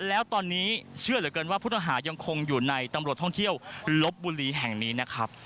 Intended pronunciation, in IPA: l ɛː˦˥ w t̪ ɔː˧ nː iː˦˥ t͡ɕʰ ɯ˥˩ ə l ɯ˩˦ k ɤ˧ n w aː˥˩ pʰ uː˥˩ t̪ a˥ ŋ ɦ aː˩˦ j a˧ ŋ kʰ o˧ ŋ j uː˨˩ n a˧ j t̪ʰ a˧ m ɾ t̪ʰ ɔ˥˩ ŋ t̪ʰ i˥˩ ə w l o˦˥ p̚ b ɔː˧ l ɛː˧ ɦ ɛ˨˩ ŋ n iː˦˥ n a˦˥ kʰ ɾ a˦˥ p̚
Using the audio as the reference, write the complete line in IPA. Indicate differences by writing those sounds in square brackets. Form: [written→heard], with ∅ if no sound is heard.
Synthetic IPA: l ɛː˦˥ w t̪ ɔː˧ nː iː˦˥ t͡ɕʰ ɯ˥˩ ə l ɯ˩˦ k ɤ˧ n w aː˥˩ pʰ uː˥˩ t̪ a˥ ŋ ɦ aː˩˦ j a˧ ŋ kʰ o˧ ŋ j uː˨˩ n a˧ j [t̪ʰ→t̪] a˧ m ɾ t̪ʰ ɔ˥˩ ŋ t̪ʰ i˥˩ ə w l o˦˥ p̚ b [ɔː˧→uː˧] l [ɛː˧→iː˧] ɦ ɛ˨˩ ŋ n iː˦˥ n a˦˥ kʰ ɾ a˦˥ p̚